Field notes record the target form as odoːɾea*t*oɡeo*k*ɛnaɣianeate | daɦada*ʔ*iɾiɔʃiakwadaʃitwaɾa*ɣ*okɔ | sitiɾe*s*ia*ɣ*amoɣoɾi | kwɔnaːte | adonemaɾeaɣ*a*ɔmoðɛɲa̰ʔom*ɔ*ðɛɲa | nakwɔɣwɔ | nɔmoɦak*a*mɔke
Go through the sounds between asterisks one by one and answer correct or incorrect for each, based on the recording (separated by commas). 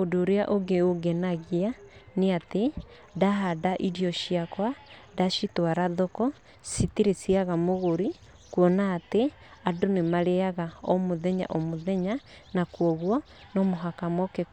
incorrect, incorrect, correct, incorrect, correct, correct, correct, incorrect, correct